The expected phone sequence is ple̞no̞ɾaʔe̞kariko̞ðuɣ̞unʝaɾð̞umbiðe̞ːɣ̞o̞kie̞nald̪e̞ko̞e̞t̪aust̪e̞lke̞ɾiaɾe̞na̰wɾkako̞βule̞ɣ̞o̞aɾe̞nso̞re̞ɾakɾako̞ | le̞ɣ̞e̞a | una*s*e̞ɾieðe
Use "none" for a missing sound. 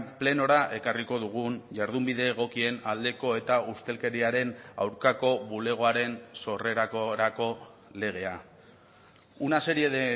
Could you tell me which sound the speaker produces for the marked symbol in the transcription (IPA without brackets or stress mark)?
s